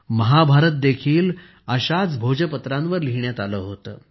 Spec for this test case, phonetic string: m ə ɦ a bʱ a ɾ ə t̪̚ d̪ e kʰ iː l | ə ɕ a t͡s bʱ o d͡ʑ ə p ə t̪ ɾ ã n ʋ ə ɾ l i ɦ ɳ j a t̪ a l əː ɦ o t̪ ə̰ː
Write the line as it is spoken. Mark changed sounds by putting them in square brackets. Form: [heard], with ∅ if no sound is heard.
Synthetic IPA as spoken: m ə ɦ a bʱ a ɾ ə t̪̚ d̪ e kʰ iː l | ə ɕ a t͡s bʱ o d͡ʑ ə p ə t̪ ɾ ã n ʋ ə ɾ l i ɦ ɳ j a t̪ a l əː ɦ o t̪ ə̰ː